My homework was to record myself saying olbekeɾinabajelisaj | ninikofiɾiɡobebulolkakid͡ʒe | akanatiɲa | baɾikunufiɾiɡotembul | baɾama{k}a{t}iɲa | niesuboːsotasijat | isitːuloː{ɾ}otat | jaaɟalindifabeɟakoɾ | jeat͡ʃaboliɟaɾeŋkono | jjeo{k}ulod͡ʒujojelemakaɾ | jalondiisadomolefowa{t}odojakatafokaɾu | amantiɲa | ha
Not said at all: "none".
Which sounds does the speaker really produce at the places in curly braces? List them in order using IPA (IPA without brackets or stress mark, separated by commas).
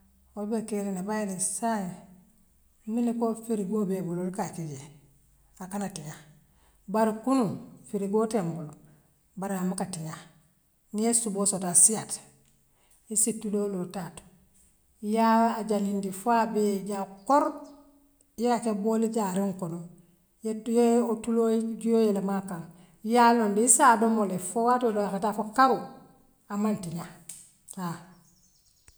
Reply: k, t, l, t, t